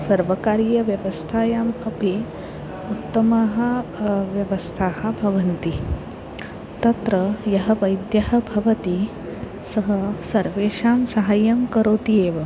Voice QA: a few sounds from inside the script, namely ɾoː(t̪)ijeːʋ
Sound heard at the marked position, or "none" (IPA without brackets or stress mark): t̪